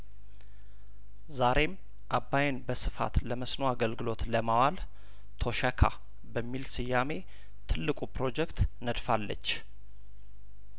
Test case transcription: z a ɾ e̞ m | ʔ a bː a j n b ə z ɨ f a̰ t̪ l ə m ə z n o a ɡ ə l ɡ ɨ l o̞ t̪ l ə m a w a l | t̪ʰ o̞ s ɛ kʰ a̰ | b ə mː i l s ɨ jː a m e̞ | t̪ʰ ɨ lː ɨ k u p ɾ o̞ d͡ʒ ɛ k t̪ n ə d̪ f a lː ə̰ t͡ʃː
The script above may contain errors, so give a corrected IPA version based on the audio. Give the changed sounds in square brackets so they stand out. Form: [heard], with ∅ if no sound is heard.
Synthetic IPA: z a ɾ e̞ m | ʔ a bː a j n b ə [s] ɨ f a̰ t̪ l ə m ə [s] n o a ɡ ə l ɡ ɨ l o̞ t̪ l ə m a w a l | t̪ʰ o̞ [ʃ] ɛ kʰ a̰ | b ə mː i l s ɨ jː a m e̞ | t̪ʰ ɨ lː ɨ [kʼ] u p ɾ o̞ d͡ʒ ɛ k t̪ n ə d̪ f a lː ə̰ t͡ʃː